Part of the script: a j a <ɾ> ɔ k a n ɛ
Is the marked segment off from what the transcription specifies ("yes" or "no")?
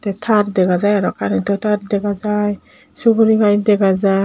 no